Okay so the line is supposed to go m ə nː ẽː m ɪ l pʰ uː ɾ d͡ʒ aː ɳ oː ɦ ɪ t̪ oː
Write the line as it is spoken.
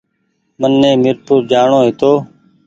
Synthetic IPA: m ə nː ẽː m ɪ ɾ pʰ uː ɾ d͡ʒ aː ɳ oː ɦ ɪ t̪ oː